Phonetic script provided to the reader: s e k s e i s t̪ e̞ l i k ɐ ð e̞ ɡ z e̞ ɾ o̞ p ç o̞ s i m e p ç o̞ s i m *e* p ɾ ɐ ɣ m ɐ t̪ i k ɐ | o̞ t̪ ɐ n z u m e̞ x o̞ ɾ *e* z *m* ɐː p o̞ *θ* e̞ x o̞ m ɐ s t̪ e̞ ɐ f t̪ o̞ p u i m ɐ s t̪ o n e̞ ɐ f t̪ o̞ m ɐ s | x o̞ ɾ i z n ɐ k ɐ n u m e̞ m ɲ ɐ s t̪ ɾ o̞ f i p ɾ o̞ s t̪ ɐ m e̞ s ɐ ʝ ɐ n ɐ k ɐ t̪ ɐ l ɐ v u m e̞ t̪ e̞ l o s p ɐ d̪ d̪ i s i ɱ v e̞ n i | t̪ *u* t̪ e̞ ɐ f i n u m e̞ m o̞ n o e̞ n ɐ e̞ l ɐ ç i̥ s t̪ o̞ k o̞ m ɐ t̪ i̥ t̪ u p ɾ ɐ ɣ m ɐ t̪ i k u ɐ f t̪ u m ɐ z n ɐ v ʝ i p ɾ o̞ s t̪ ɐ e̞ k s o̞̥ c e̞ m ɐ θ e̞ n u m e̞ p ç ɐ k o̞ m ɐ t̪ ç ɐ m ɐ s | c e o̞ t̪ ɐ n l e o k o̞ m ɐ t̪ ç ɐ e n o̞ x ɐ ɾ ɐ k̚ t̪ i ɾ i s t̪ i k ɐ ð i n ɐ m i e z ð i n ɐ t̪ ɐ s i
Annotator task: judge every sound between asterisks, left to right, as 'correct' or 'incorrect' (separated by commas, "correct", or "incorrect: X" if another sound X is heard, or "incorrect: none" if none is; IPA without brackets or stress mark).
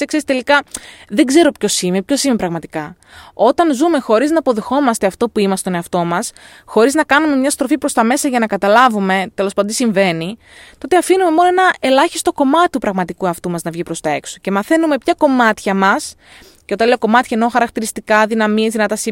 correct, incorrect: i, incorrect: n, incorrect: ð, incorrect: o